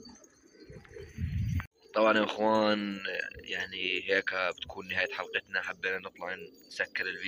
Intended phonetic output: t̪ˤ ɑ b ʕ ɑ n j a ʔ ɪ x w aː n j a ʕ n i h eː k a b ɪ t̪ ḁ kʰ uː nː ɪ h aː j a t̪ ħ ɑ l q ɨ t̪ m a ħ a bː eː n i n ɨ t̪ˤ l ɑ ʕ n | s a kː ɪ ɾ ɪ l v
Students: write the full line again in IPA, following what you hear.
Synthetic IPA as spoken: t̪ˤ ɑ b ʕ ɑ n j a ʔ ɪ x w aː n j a ʕ n i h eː k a b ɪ t̪ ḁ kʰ uː nː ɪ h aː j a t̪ ħ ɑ l q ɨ t̪ n a ħ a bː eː n a n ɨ t̪ˤ l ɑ ʕ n | s a kː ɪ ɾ ɪ l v